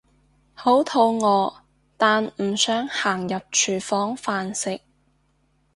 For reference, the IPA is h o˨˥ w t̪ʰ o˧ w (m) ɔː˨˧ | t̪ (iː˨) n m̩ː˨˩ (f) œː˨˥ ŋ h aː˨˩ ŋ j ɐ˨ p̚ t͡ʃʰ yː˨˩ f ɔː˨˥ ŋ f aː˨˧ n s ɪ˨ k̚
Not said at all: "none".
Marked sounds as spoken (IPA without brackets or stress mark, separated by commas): ŋ, aː˨, s